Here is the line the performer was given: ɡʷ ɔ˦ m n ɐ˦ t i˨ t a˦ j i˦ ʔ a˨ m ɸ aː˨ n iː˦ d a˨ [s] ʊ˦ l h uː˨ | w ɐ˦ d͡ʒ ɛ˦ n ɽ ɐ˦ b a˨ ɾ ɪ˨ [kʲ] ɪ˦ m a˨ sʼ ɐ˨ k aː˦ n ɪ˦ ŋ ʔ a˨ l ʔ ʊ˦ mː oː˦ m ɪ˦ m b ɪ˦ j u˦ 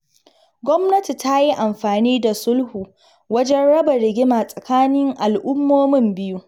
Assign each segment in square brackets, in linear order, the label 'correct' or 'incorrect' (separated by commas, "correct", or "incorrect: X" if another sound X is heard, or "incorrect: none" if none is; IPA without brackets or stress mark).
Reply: correct, incorrect: ɡʲ